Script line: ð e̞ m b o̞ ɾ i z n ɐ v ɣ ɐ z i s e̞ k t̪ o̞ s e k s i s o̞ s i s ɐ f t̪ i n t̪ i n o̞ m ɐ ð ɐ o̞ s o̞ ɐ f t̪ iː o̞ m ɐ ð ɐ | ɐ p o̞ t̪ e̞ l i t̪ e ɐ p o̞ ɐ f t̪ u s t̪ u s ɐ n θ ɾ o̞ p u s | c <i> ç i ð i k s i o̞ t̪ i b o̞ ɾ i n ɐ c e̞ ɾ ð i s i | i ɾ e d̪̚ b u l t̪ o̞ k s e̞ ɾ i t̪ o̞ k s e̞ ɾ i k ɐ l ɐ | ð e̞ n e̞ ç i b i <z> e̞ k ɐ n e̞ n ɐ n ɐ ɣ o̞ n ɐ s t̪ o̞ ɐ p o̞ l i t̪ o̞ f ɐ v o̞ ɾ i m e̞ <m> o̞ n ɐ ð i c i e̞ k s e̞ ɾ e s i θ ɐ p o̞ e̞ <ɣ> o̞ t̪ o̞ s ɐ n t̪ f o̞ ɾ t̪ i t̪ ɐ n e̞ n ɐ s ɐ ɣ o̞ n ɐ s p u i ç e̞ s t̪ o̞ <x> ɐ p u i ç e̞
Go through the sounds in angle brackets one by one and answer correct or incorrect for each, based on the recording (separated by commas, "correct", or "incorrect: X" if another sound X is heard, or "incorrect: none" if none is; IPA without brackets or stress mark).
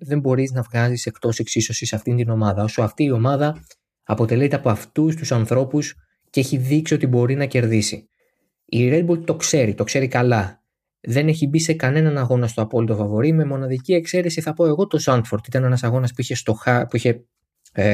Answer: incorrect: e, incorrect: s, correct, correct, correct